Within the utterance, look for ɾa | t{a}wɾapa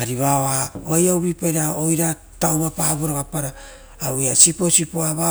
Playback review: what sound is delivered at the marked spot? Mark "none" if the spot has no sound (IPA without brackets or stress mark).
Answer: a